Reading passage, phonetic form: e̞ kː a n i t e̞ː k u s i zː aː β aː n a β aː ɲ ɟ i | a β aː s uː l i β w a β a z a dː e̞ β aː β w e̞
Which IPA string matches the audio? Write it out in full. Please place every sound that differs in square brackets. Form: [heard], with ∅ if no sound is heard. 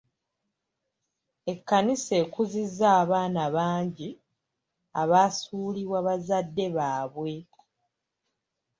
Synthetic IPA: e̞ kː a n i [s] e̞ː k u [z] i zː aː β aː n a β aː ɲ ɟ i | a β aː s uː l i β w a β a z a dː e̞ β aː β w e̞